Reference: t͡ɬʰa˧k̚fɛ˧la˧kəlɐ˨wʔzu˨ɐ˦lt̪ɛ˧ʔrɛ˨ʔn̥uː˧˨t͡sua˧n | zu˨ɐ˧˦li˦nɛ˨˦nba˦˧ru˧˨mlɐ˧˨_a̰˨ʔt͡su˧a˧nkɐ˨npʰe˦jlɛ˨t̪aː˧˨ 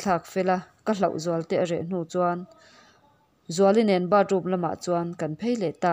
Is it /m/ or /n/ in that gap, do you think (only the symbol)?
m